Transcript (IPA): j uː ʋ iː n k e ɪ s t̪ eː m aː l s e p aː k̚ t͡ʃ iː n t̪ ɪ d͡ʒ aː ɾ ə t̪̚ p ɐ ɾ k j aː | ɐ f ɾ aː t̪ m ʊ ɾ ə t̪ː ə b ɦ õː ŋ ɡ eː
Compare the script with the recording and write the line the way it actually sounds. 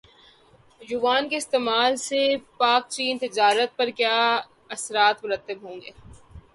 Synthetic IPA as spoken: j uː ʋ aː n k e ɪ s t̪ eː m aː l s e p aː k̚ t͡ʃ iː n t̪ ɪ d͡ʒ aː ɾ ə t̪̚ p ɐ ɾ k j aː | ɐ s ɾ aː t̪ m ʊ ɾ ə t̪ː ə b ɦ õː ŋ ɡ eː